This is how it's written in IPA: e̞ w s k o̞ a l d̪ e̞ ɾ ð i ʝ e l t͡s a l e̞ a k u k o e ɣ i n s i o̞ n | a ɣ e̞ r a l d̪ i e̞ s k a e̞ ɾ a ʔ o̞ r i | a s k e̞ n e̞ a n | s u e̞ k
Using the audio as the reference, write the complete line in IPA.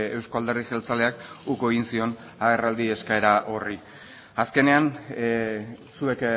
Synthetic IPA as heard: e̞ w s k o̞ a l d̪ e̞ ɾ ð i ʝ e l t͡s a l e̞ a k u k o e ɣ i n s i o̞ n | a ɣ e̞ r a l d̪ i e̞ s k a e̞ ɾ a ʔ o̞ r i | a s k e̞ n e̞ a n | s u e̞ k

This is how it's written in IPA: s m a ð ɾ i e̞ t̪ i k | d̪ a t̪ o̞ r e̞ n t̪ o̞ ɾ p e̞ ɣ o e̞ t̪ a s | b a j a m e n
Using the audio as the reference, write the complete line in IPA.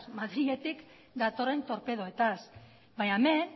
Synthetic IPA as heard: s m a ð ɾ i e̞ t̪ i k | d̪ a t̪ o̞ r e̞ n t̪ o̞ ɾ p e̞ ð o e̞ t̪ a s | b a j a m e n

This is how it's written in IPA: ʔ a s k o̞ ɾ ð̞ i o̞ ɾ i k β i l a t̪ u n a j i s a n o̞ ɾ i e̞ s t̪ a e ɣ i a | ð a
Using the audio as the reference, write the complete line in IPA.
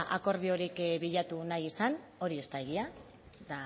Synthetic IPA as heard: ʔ a k o̞ ɾ ð̞ i o̞ ɾ i k β i ʎ a t̪ u n a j i s a n o̞ ɾ i e̞ s t̪ a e ɣ i a | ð a

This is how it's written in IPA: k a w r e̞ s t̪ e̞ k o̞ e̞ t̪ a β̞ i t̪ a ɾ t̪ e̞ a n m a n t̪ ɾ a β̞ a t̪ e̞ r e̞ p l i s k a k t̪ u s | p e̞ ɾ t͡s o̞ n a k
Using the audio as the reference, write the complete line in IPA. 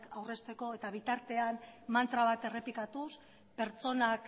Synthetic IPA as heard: k a w r e̞ s t̪ e̞ k o̞ e̞ t̪ a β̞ i t̪ a ɾ t̪ e̞ a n m a n t̪ ɾ a β̞ a t̪ e̞ r e̞ p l i k a t̪ u s | p e̞ ɾ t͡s o̞ n a k

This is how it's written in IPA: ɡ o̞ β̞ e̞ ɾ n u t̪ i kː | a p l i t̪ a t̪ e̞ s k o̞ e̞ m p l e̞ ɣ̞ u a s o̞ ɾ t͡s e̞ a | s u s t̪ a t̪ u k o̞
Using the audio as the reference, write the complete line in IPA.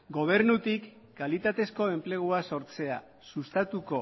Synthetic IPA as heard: ɡ o̞ β̞ e̞ ɾ n u t̪ i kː | a l i t̪ a t̪ e̞ s k o̞ e̞ m p l e̞ ɣ̞ u a s o̞ ɾ t͡s e̞ a | s u s t̪ a t̪ u k o̞

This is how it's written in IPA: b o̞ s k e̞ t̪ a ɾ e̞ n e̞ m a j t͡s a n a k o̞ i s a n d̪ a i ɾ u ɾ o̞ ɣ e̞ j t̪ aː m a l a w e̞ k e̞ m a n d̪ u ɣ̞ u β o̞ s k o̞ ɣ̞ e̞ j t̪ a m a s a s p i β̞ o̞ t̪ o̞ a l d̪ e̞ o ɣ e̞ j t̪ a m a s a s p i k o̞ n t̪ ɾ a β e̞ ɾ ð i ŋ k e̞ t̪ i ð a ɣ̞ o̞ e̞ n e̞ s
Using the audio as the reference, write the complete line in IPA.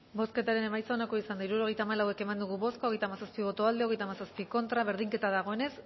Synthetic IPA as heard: b o̞ s k e̞ t̪ a ɾ e̞ n e̞ m a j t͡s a n a k o̞ i s a n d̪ a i ɾ u ɾ o̞ ɣ e̞ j t̪ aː m a l a w e̞ k e̞ m a n d̪ u ɣ̞ u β o̞ s k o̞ ɣ̞ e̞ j t̪ a m a s a s p i β̞ o̞ t̪ o̞ a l d̪ e̞ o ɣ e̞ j t̪ a m a s a s p i k o̞ n t̪ ɾ a β e̞ ɾ ð i ŋ k e̞ t̪ a ð a ɣ̞ o̞ e̞ n e̞ s

